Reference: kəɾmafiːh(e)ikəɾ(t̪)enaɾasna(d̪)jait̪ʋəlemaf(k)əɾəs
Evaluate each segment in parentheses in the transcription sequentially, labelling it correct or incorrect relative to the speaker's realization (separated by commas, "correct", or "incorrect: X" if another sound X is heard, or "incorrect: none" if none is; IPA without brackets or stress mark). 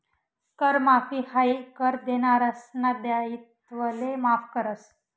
incorrect: a, incorrect: d̪, correct, correct